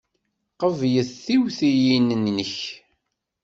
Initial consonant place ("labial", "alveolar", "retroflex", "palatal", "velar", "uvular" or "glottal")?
uvular